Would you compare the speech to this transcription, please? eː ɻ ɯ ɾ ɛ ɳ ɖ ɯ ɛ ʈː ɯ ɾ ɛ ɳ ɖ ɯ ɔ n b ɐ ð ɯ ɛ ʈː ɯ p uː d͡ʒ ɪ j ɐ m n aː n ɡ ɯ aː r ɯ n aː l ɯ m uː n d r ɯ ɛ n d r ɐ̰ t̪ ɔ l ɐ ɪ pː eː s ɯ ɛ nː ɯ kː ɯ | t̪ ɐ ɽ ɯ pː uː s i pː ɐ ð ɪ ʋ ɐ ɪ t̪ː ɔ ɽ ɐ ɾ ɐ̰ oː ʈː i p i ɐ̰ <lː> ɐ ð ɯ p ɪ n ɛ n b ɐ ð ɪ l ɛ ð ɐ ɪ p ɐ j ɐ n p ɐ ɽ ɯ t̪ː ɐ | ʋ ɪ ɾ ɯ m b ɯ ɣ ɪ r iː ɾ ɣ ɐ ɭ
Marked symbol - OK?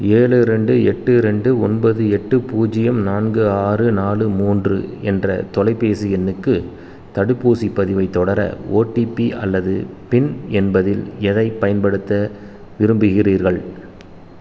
yes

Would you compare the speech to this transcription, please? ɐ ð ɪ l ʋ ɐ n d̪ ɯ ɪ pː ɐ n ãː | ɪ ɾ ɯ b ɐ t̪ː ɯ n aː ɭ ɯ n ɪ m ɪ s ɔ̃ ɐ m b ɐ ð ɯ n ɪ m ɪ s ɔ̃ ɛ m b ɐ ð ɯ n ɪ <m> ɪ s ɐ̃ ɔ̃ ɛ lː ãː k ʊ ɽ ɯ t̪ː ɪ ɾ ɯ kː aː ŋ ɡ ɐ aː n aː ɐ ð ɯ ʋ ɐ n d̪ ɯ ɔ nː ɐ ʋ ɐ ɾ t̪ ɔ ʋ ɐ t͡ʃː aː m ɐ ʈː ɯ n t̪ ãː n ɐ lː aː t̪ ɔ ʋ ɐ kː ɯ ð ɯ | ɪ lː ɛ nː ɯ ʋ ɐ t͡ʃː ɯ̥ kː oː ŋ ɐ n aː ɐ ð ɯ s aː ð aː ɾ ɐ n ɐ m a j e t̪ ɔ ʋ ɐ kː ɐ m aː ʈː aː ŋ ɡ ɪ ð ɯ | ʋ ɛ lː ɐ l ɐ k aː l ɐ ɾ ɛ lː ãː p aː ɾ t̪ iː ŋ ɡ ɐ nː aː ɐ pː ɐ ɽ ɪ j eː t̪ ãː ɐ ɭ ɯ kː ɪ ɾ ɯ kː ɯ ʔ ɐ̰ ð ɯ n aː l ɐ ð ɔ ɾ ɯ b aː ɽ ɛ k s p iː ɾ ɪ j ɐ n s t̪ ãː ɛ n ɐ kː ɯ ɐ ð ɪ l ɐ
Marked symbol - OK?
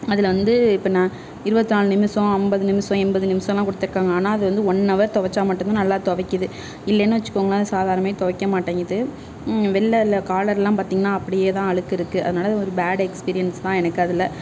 yes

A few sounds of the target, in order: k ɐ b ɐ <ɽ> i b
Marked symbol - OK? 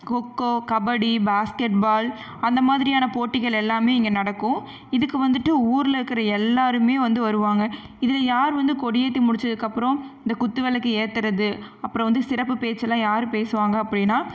yes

